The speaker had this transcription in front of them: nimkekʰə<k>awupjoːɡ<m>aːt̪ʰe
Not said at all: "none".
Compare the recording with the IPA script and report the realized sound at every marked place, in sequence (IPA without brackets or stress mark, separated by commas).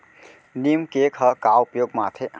k, m